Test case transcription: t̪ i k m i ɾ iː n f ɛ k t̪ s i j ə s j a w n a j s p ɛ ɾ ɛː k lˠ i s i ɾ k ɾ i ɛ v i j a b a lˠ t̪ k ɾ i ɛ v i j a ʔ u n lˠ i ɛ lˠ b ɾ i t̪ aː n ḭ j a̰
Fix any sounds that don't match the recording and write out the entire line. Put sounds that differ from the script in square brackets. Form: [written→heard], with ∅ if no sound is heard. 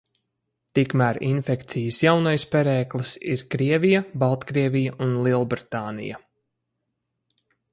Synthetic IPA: t̪ i k m [i→æ] ɾ [iː→i] n f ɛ k t̪ s i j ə s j a w n a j s p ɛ ɾ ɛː k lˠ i s i ɾ k ɾ i ɛ v i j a b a lˠ t̪ k ɾ i ɛ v i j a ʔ u n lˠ i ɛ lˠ b ɾ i t̪ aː n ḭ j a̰

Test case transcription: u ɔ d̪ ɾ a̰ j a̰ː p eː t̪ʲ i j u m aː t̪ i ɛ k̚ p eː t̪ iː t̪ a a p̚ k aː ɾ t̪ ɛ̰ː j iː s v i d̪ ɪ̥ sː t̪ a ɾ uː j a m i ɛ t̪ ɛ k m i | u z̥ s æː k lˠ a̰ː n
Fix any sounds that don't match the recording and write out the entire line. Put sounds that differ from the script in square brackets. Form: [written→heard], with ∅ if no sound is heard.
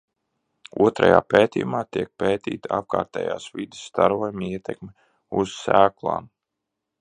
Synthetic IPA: u ɔ [d̪→t̪] ɾ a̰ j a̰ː p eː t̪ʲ i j u m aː t̪ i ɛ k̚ p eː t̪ iː t̪ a a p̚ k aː ɾ t̪ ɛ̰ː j [iː→aː] s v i d̪ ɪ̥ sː t̪ a ɾ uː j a m i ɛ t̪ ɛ k m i | u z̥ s æː k lˠ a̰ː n

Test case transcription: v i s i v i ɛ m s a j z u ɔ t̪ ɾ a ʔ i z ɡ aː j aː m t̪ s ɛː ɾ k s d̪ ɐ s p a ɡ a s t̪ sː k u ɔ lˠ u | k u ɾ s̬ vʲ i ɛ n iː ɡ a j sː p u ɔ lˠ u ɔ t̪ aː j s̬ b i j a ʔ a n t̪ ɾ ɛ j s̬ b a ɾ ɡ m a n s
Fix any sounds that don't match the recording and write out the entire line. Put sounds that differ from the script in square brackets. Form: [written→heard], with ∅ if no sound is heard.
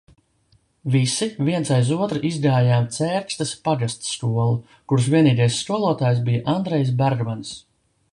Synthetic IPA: v i s i v i ɛ [m→n] s a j z u ɔ t̪ ɾ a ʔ i z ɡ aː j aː m t̪ s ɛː ɾ k s [d̪→t̪] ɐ s p a ɡ a s t̪ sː k u ɔ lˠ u | k u ɾ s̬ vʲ i ɛ n iː ɡ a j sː [p→k] u ɔ lˠ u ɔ t̪ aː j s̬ b i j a ʔ a n [t̪→d̪] ɾ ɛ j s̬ b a ɾ ɡ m a n s

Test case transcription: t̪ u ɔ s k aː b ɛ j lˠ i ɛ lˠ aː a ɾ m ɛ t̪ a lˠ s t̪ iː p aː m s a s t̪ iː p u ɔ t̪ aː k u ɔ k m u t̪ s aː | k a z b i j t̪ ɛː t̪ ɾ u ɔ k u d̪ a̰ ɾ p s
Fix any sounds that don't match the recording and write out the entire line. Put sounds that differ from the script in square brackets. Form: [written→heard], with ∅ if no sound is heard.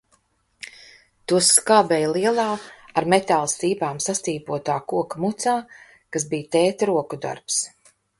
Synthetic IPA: t̪ u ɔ s k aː b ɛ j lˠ i ɛ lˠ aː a ɾ m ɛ t̪ a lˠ s t̪ iː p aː m s a s t̪ iː p u ɔ t̪ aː k u ɔ k m u t̪ s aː | k a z b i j t̪ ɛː t̪ ɾ u ɔ k u d̪ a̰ ɾ p s

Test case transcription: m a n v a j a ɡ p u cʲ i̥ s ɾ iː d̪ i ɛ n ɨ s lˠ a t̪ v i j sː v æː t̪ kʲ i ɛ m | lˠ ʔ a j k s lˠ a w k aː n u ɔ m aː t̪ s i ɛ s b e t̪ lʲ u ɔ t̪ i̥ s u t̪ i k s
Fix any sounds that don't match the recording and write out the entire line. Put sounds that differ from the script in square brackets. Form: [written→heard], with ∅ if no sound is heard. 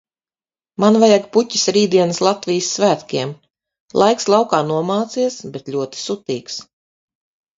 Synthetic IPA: m a n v a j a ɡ p u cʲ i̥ s ɾ iː d̪ i ɛ n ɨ s lˠ a t̪ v i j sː v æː t̪ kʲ i ɛ m | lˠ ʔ a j k s lˠ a w k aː n u ɔ m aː t̪ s i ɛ s b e t̪ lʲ u ɔ t̪ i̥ s u t̪ [i→iː] k s

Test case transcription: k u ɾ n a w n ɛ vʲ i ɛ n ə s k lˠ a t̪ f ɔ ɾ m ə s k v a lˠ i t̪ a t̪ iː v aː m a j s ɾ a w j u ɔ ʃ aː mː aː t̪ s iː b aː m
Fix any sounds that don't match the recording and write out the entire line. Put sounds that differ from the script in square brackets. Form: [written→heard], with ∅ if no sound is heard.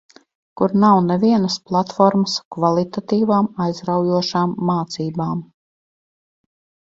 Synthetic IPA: k u ɾ n a w n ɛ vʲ i ɛ n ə s [k→p] lˠ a t̪ f ɔ ɾ m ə s k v a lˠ i t̪ a t̪ iː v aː m a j [s→z] ɾ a w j u ɔ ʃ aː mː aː t̪ s iː b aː m

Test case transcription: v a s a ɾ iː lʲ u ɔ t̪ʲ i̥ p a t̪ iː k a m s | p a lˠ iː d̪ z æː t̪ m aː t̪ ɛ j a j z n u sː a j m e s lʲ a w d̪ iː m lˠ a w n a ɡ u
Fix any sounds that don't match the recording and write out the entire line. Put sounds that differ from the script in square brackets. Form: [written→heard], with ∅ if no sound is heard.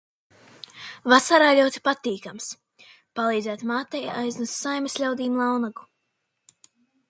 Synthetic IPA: v a s a ɾ [iː→aː] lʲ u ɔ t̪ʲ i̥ p a t̪ iː k a m s | p a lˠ iː d̪ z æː t̪ m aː t̪ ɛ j a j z n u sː a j m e s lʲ a w d̪ iː m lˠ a w n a ɡ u

